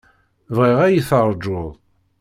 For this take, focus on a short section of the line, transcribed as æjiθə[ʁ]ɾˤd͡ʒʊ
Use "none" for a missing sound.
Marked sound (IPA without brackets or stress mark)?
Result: none